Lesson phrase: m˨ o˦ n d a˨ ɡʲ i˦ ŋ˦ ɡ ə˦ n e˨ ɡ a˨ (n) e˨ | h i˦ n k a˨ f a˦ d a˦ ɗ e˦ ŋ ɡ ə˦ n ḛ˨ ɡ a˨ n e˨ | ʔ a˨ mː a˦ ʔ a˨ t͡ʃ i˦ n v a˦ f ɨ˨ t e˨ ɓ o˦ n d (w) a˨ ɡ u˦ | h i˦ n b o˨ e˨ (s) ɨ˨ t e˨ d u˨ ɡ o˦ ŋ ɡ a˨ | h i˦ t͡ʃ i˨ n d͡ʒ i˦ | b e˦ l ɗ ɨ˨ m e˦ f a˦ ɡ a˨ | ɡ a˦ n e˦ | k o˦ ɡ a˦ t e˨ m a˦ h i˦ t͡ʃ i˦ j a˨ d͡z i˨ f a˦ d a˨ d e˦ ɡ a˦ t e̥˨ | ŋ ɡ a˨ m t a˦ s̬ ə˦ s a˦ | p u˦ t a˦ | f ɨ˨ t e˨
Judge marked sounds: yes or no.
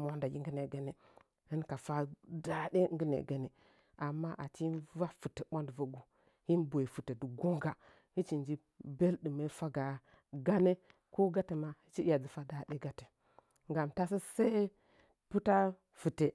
yes, no, no

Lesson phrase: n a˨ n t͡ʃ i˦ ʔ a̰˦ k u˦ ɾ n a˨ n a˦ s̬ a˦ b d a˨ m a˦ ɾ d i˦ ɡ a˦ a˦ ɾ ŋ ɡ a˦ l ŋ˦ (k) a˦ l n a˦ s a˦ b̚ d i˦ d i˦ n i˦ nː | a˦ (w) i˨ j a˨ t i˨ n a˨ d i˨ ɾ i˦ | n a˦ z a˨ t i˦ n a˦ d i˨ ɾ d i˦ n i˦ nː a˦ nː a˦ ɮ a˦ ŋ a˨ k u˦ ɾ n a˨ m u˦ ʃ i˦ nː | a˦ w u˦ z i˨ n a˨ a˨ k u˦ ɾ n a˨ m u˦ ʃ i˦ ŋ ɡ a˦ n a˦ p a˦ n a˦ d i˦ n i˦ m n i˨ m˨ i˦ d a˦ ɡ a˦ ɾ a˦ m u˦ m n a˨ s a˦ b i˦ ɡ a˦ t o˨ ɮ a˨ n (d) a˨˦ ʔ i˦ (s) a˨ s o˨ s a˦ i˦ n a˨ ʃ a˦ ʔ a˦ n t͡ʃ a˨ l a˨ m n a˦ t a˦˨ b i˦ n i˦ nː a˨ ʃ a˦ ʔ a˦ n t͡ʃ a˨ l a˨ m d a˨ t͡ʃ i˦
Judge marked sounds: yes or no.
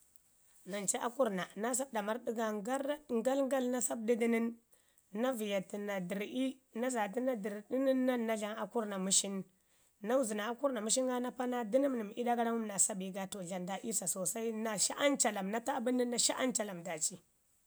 no, no, yes, yes

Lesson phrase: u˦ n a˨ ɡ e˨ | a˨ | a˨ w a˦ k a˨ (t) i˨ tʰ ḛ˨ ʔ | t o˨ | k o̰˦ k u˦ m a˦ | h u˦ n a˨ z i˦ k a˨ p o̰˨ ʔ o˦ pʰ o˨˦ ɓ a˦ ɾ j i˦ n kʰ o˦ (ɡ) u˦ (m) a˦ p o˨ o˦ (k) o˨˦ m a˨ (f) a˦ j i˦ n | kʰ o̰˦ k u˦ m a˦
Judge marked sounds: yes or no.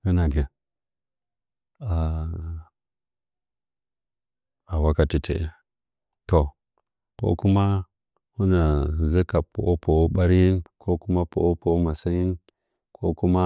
yes, no, yes, no, no

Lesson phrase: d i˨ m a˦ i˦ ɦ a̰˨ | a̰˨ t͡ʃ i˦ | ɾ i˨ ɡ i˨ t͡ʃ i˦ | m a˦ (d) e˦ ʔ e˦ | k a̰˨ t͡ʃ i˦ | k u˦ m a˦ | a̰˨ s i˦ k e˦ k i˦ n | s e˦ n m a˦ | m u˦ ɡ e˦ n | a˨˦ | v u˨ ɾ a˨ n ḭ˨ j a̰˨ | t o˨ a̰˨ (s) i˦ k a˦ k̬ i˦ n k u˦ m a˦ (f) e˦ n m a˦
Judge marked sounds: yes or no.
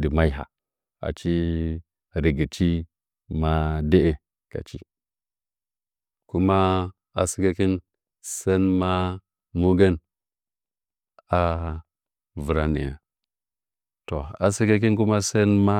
yes, yes, no

